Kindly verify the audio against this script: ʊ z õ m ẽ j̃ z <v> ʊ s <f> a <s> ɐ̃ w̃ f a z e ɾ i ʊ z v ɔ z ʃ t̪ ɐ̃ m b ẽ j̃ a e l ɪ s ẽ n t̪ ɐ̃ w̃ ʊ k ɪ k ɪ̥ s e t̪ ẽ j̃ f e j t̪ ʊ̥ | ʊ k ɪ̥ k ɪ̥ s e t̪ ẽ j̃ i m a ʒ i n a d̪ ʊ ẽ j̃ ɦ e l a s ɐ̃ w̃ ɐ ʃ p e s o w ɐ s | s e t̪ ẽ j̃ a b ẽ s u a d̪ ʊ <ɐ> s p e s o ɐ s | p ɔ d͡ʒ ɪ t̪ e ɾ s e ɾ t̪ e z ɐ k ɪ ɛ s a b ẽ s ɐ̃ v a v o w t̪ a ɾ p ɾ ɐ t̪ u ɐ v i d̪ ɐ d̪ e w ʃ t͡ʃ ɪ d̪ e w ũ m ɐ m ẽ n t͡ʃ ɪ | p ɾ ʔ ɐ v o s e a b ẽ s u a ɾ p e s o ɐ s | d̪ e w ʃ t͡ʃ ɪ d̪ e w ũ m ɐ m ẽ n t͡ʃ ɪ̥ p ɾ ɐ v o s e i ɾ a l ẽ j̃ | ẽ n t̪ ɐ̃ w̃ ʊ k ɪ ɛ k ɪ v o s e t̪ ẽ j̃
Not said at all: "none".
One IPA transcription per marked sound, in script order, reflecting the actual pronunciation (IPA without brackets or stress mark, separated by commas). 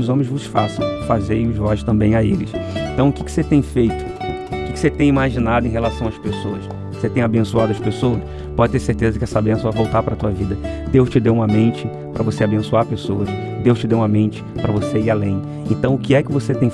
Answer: v, f, s, ɐ